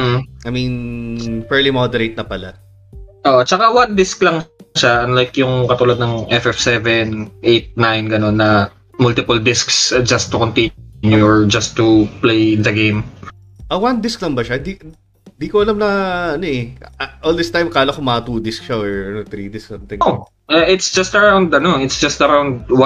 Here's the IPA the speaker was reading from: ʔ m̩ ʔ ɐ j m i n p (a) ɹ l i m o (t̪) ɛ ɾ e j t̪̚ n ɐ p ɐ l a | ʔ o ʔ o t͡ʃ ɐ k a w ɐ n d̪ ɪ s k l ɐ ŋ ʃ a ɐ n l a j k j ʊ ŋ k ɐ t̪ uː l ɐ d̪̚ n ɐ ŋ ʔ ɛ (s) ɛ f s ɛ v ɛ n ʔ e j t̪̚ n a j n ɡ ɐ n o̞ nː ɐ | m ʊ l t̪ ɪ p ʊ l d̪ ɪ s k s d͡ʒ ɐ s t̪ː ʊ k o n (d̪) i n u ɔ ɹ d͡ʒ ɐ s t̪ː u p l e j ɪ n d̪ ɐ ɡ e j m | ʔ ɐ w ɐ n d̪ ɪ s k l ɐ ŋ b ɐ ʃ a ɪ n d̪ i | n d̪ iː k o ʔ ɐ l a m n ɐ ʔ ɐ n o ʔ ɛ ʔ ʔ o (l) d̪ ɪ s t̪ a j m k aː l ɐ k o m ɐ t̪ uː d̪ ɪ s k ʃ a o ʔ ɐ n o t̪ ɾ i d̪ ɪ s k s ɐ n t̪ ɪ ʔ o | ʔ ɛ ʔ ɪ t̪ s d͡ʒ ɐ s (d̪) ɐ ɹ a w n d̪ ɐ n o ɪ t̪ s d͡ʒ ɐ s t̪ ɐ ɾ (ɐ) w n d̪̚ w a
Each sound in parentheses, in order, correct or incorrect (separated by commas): incorrect, incorrect, incorrect, incorrect, correct, incorrect, incorrect